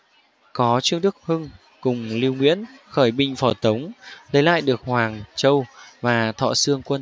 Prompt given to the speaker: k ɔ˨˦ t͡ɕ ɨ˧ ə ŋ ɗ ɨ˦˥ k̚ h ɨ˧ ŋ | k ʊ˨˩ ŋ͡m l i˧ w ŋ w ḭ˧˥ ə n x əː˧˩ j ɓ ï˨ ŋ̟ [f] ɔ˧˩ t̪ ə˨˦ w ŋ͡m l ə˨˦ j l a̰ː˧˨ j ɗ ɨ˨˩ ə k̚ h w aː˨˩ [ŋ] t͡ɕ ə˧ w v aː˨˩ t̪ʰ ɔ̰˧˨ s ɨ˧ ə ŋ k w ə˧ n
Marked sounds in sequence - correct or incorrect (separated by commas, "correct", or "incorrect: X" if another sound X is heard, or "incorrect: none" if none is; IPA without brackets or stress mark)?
correct, correct